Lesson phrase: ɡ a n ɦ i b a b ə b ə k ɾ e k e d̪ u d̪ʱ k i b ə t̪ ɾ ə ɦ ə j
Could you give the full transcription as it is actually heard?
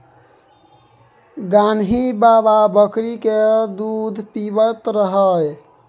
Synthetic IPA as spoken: ɡ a n ɦ i b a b a b ə k ɾ i k e d̪ u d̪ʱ p i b ə t̪ ɾ ə ɦ ə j